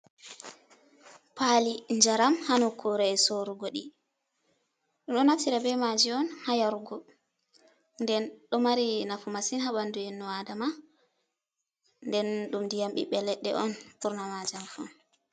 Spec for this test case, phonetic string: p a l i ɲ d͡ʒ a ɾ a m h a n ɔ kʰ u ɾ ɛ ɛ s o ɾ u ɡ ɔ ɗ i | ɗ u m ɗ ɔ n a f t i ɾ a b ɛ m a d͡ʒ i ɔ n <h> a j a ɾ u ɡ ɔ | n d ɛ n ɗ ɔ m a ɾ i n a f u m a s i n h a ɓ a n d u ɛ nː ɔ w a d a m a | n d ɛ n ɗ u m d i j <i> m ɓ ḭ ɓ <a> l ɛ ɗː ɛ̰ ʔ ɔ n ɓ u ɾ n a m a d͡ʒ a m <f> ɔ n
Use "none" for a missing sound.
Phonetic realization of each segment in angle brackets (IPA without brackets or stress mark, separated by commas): h, a, ɛ, f